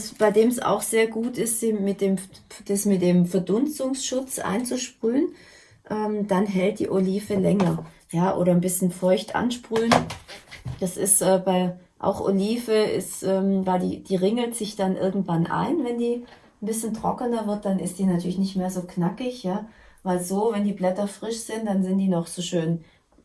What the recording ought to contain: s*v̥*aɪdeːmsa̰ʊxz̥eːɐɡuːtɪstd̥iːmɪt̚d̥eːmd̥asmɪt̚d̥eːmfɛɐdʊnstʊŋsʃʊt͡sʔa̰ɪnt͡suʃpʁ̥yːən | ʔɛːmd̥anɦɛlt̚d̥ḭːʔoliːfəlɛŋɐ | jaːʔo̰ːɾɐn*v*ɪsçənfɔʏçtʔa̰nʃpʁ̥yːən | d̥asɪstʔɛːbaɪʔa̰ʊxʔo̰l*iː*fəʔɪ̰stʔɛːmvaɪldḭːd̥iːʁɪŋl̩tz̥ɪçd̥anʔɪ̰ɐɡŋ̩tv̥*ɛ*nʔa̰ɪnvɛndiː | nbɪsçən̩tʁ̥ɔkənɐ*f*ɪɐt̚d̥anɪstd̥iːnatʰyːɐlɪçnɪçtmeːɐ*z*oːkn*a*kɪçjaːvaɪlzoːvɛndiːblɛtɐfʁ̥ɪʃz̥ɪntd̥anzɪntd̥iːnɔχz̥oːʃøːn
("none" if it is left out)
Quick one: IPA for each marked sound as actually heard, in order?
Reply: b̥, b, iː, a, v, z, a

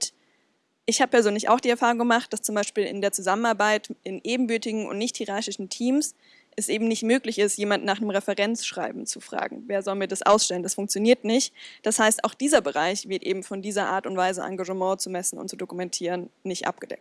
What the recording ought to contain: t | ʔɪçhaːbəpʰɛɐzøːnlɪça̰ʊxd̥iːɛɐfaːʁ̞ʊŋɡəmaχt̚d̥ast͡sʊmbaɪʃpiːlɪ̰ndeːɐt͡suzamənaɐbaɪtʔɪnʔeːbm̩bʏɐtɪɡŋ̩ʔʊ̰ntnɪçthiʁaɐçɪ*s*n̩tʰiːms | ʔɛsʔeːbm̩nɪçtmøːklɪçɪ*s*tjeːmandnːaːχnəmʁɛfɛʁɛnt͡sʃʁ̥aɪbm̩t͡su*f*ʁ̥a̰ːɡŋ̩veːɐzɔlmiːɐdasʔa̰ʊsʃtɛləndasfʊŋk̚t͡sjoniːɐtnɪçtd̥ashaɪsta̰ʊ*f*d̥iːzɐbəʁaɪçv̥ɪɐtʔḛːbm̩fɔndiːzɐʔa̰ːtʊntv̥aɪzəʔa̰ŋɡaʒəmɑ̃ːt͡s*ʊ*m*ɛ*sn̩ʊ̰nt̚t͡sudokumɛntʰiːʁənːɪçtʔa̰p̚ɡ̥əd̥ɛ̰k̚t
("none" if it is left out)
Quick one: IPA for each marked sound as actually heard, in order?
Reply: ʃ, s, f, x, u, ɛ

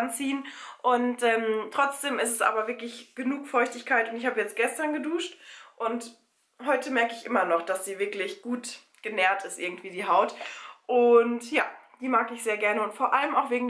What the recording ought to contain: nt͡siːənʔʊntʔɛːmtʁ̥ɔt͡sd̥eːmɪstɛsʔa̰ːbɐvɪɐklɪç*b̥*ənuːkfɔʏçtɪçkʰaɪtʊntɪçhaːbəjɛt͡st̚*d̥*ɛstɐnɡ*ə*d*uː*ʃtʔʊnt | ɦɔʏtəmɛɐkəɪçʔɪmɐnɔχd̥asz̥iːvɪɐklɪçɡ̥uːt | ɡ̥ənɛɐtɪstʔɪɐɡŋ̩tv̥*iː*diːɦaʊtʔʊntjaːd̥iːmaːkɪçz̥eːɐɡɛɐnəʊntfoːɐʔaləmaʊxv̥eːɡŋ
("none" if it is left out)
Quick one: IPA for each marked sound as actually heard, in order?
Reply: ɡ̥, ɡ̥, ə, uː, iː

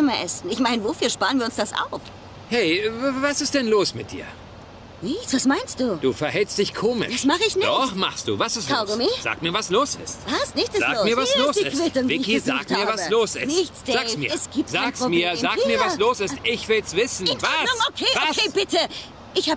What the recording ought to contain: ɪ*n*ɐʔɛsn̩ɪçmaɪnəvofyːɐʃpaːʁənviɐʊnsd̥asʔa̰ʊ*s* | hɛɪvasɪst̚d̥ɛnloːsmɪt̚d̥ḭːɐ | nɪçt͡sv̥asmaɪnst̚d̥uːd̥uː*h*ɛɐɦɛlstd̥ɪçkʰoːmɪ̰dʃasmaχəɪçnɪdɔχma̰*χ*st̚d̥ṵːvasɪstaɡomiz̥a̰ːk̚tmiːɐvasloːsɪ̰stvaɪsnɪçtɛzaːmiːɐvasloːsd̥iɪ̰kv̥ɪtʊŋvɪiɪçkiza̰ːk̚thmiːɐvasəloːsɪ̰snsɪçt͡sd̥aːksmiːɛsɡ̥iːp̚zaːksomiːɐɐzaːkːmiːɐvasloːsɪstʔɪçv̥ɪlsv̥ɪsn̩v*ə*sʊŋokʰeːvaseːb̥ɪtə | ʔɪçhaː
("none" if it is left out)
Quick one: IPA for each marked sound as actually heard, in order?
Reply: m, f, f, χ, a

